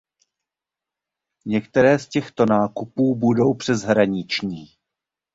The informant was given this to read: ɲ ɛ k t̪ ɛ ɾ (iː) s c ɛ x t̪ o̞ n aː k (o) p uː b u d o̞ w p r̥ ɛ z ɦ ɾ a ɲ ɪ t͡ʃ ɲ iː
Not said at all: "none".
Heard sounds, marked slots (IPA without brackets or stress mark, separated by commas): ɛː, u